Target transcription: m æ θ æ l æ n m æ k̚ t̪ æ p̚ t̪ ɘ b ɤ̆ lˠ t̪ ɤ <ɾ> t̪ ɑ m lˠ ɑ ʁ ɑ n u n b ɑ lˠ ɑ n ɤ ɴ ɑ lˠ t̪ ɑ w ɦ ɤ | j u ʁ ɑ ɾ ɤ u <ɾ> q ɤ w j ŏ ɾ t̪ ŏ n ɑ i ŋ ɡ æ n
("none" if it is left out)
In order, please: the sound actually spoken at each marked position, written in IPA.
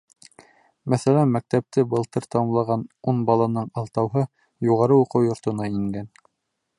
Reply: ɾ, none

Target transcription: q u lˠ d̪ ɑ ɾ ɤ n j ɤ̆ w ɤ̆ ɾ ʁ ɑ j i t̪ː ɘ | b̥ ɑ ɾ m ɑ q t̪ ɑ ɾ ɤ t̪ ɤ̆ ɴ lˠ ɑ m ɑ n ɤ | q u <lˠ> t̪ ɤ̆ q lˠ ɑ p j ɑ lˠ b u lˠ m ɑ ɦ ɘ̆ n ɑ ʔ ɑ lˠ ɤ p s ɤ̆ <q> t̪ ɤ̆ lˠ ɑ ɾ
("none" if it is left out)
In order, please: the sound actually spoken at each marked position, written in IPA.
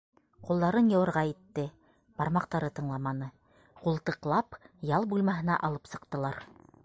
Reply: lˠ, q

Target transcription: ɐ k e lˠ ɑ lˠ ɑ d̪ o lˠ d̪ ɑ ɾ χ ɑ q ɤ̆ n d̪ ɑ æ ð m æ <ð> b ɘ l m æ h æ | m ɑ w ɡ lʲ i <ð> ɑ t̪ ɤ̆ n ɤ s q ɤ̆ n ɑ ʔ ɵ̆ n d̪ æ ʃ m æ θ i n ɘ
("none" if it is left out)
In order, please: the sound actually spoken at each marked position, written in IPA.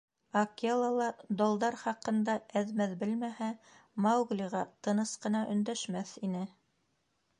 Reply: ð, ʁ

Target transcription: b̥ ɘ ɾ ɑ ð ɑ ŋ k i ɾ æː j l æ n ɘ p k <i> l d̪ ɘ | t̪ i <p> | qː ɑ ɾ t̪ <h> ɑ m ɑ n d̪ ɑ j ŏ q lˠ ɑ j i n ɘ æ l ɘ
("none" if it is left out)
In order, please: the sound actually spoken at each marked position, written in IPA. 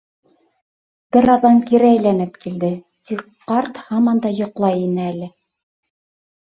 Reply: i, k, h

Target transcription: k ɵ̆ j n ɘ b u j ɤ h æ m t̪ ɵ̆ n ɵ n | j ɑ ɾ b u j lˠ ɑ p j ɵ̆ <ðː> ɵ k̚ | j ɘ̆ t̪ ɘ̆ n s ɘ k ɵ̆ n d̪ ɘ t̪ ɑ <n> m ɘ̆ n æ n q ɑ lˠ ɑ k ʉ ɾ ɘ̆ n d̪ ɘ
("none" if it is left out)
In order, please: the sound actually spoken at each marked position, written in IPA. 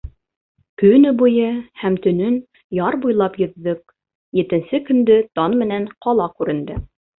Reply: ðː, n

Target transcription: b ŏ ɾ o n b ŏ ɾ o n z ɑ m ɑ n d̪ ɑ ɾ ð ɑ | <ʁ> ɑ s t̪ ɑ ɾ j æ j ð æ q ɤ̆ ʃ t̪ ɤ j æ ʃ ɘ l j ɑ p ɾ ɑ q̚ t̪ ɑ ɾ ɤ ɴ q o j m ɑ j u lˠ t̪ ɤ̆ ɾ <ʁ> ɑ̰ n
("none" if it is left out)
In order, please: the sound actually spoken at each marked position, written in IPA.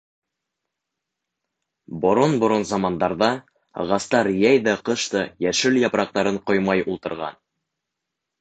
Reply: ʁ, ʁ

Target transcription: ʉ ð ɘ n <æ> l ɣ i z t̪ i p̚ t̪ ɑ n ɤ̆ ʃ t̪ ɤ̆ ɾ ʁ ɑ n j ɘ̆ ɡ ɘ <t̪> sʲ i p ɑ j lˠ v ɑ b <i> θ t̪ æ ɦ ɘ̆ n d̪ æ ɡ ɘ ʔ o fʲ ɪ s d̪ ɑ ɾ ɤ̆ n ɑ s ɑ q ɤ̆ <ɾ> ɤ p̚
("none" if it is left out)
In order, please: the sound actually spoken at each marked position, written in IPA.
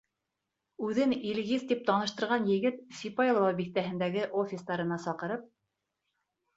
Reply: i, t̪, i, ɾ

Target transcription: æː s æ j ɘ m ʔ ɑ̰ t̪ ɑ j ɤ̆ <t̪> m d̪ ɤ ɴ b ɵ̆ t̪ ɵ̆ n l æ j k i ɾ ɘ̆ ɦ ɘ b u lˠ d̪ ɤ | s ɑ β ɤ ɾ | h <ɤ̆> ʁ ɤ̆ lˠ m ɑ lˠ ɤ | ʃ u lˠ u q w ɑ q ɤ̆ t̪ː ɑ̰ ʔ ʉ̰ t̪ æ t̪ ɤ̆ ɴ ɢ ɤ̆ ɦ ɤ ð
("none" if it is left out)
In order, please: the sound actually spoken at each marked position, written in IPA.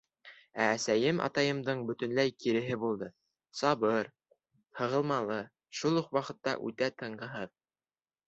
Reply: none, ɤ̆

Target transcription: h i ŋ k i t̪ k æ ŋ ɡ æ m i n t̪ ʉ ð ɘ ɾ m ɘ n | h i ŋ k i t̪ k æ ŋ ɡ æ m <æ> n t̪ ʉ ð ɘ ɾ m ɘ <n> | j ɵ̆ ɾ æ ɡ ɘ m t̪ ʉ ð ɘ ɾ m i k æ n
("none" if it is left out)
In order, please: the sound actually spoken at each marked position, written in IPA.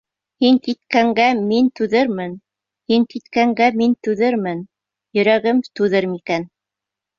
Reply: i, n

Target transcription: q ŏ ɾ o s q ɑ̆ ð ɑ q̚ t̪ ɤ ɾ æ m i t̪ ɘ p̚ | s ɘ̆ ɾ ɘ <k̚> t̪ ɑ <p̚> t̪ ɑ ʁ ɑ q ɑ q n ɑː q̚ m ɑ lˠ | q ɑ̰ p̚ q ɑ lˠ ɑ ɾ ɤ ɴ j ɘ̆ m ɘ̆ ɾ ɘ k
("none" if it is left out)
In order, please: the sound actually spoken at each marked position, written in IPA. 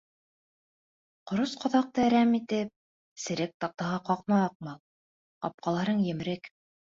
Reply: k̚, q̚

